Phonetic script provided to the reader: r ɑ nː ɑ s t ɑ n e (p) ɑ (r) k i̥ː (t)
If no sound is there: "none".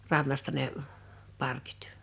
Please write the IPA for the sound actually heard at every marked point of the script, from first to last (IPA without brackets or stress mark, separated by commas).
p, r, t